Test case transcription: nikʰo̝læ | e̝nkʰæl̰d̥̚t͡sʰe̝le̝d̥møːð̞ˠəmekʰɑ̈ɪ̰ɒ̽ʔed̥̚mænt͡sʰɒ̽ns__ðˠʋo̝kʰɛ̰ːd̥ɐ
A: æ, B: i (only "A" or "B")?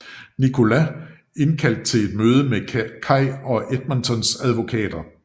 A